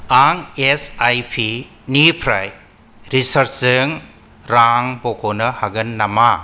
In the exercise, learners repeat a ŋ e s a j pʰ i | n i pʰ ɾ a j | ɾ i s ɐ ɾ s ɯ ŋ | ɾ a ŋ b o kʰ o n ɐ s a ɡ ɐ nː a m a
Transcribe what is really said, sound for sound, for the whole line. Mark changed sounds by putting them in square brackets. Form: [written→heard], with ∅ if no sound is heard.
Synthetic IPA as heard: a ŋ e s a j pʰ i | n i pʰ ɾ a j | ɾ i s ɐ ɾ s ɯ ŋ | ɾ a ŋ b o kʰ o n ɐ [s→h] a ɡ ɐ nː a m a